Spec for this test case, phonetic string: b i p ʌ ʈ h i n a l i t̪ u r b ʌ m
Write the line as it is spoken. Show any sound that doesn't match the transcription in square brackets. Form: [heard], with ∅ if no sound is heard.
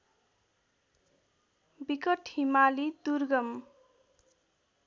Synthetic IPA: b i [k] ʌ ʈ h i [m] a l i [d̪] u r [ɡ] ʌ m